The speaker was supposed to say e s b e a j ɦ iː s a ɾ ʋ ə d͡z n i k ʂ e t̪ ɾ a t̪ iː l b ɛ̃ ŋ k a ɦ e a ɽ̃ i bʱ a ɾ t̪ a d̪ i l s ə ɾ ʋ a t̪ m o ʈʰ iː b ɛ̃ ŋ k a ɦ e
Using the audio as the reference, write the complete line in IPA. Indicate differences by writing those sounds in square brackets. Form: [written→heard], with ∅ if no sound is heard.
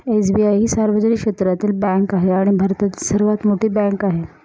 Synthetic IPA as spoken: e s b [e→i] a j ɦ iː s a ɾ ʋ ə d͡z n i k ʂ e t̪ ɾ a t̪ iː l b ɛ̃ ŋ k a ɦ e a ɽ̃ i bʱ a ɾ t̪ a [d̪→t̪] i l s ə ɾ ʋ a t̪ m o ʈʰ iː b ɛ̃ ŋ k a ɦ e